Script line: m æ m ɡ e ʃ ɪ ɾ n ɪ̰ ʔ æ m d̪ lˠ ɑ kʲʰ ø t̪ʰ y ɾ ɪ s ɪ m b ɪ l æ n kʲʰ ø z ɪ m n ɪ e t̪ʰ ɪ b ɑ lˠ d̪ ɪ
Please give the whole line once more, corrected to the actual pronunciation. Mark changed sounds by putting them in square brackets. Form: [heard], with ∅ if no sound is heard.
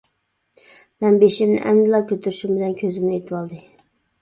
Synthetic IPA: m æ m [b] e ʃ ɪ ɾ n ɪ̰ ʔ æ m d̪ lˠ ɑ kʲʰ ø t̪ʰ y ɾ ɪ [ʃ] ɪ m b ɪ l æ n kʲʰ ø z ɪ m n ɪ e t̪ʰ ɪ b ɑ lˠ d̪ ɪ